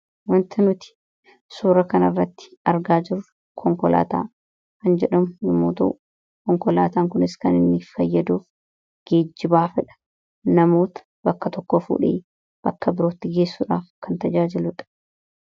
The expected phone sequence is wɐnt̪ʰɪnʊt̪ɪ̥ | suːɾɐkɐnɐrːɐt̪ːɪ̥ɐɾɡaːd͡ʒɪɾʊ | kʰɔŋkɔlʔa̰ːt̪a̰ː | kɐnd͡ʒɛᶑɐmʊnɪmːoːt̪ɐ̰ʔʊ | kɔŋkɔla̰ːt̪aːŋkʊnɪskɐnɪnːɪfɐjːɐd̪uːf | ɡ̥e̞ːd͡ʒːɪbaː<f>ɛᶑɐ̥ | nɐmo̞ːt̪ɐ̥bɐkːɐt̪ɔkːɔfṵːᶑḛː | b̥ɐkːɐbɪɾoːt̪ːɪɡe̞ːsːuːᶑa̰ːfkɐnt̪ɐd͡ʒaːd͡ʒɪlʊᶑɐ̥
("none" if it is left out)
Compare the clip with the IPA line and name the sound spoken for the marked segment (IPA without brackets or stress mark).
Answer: f